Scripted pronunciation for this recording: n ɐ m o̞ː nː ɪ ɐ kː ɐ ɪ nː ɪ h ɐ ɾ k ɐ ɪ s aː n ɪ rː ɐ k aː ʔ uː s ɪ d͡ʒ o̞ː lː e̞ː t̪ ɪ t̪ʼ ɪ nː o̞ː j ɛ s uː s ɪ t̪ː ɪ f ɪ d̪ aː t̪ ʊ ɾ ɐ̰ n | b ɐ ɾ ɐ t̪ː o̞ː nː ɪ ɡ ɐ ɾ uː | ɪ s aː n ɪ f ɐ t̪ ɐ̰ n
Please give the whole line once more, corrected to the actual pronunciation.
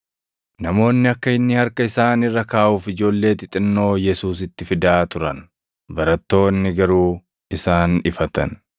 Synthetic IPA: n ɐ m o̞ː nː ɪ ɐ kː ɐ ɪ nː ɪ h ɐ ɾ k ɐ ɪ s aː n ɪ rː ɐ k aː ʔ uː f ɪ d͡ʒ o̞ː lː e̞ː t̪ ɪ t̪ʼ ɪ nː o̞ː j ɛ s uː s ɪ t̪ː ɪ f ɪ d̪ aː t̪ ʊ ɾ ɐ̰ n | b ɐ ɾ ɐ t̪ː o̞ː nː ɪ ɡ ɐ ɾ uː | ɪ s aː n ɪ f ɐ t̪ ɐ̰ n